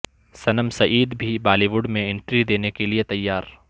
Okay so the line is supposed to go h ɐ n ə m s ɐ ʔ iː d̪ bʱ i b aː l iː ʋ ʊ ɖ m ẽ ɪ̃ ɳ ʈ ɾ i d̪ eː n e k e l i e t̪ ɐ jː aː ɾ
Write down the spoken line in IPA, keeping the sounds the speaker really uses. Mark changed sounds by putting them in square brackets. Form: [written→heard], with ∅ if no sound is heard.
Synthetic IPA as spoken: [h→s] ɐ n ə m s ɐ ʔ iː d̪ bʱ i b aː l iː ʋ ʊ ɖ m ẽ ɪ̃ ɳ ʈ ɾ i d̪ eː n e k e l i e t̪ ɐ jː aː ɾ

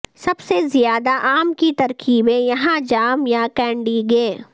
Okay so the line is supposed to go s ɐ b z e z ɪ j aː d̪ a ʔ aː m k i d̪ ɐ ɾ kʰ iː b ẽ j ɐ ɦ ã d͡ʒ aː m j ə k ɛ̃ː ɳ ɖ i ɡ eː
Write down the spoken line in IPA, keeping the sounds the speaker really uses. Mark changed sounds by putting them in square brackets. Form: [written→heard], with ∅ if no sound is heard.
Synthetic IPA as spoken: s ɐ b [z→s] e z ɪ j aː d̪ a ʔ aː m k i [d̪→t̪] ɐ ɾ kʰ iː b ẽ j ɐ ɦ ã d͡ʒ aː m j [ə→a] k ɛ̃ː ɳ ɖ i ɡ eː

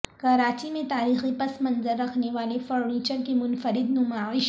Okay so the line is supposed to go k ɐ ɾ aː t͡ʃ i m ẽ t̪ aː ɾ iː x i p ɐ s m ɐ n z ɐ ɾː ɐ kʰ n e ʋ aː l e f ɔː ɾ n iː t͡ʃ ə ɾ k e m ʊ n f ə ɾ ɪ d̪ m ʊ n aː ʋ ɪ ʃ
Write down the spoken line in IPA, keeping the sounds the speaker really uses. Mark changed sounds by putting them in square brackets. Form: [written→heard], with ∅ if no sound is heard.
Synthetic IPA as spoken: k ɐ ɾ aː t͡ʃ i m ẽ t̪ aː ɾ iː x i p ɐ s m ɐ n z [ɐ→ə] ɾː ɐ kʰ n e ʋ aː l e f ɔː ɾ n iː t͡ʃ ə ɾ k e m ʊ n f ə ɾ ɪ d̪ [m→n] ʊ [n→m] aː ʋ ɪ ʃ

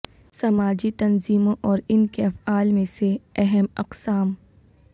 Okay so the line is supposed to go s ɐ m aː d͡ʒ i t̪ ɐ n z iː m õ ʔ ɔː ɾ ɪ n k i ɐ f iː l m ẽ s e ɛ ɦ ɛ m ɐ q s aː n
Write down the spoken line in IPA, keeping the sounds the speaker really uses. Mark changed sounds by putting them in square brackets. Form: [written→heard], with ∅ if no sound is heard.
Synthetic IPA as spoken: s ɐ m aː d͡ʒ i t̪ ɐ n z iː m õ ʔ ɔː ɾ ɪ n k [i→e] ɐ f [iː→aː] l m ẽ s e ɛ ɦ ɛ m ɐ q s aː [n→m]

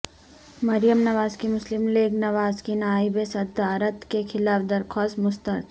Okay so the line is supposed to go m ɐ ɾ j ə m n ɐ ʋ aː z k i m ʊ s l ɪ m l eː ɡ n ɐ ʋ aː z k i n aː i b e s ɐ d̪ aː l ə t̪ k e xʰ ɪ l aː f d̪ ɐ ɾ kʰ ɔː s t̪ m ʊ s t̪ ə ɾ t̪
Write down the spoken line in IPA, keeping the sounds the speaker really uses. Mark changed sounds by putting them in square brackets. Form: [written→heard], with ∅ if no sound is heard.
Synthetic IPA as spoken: m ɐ ɾ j ə m n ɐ ʋ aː z k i m ʊ s l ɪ m l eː ɡ n ɐ ʋ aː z k i n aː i b e s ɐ d̪ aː [l→ɾ] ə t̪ k e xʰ ɪ l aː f d̪ ɐ ɾ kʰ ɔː s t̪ m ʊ s t̪ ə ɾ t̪

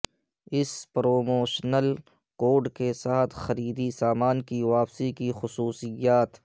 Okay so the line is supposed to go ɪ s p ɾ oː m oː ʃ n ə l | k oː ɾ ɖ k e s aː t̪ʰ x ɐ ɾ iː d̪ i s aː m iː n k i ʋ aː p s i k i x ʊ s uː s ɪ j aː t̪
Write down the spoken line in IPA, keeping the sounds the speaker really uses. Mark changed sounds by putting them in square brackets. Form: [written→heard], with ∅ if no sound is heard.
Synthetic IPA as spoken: ɪ s p ɾ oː m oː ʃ n ə l | k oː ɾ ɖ k e s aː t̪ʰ x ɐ ɾ iː d̪ i s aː m [iː→aː] n k i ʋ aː p s i k i x ʊ s uː s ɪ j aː t̪

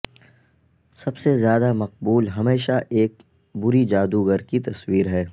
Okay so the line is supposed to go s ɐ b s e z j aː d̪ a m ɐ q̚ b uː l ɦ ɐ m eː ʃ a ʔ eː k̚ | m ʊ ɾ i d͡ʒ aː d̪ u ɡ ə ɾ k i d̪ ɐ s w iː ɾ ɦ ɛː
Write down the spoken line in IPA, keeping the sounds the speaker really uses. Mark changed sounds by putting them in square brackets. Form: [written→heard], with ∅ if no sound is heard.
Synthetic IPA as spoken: s ɐ b s e z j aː d̪ a m ɐ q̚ b uː l ɦ ɐ m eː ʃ a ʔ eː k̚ | [m→b] ʊ ɾ i d͡ʒ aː d̪ u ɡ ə ɾ k i [d̪→t̪] ɐ s w iː ɾ ɦ ɛː

